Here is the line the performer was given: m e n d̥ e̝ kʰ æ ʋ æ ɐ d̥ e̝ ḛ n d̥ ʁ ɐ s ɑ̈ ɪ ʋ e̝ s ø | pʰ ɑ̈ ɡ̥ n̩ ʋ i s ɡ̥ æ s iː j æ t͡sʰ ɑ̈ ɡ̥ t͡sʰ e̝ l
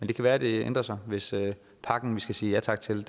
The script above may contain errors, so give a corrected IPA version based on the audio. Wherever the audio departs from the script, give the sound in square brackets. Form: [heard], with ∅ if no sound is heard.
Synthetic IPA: m e n d̥ e̝ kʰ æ ʋ [æː] ɐ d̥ e̝ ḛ n d̥ ʁ ɐ s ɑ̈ ɪ ʋ e̝ s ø | pʰ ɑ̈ ɡ̥ n̩ ʋ i s ɡ̥ æ s iː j æ t͡sʰ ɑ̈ ɡ̥ t͡sʰ e̝ l